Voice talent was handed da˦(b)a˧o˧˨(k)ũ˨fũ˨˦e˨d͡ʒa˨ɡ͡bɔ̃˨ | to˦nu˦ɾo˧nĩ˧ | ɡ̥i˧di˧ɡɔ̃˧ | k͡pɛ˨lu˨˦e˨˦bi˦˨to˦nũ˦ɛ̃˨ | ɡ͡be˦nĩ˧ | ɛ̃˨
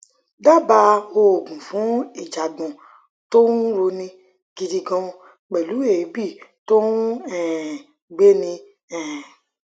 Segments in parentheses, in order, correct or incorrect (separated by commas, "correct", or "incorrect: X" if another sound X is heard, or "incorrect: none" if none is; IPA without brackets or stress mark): correct, incorrect: ɡ